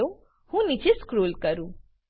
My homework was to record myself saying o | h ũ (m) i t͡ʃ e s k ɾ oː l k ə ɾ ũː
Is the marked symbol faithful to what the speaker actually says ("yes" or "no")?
no